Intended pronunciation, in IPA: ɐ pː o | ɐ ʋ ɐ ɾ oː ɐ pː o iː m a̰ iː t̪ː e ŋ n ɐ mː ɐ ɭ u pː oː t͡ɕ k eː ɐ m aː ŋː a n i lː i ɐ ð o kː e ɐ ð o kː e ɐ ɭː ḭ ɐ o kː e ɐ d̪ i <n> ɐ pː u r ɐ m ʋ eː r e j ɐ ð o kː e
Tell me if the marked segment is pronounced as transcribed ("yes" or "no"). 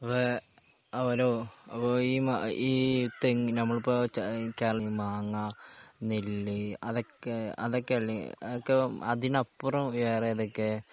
yes